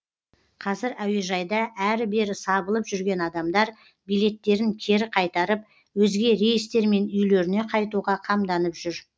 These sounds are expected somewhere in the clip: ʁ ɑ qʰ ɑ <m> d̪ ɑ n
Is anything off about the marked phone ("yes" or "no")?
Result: no